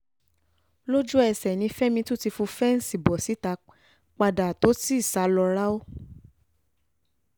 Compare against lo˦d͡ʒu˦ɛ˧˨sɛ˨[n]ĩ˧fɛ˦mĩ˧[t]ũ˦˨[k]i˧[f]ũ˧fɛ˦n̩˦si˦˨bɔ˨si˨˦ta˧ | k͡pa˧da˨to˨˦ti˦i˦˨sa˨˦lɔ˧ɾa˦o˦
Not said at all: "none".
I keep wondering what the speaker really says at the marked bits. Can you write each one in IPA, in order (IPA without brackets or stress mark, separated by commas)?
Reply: n, t, t, f